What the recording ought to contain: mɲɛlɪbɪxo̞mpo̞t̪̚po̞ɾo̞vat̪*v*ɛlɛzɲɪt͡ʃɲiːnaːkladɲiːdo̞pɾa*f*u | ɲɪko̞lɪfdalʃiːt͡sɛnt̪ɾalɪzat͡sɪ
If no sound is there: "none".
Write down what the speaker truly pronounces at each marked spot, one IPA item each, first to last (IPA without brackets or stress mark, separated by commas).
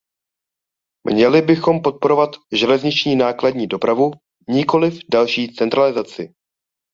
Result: ʒ, v